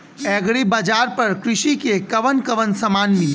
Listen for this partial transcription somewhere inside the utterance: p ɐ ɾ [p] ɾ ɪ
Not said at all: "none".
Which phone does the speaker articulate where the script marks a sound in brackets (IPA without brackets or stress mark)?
k